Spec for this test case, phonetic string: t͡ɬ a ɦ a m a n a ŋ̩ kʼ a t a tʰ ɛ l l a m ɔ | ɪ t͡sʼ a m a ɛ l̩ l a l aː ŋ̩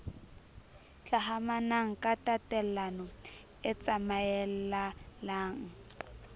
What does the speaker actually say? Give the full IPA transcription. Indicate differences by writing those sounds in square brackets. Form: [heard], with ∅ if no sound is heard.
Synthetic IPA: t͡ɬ a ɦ a m a n a ŋ̩ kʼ a t a [t] ɛ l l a [n] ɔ | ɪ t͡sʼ a m a ɛ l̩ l a l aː ŋ̩